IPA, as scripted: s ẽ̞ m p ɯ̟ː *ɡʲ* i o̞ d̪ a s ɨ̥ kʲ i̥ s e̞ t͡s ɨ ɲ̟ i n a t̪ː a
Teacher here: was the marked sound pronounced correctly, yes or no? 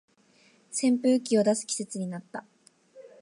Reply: no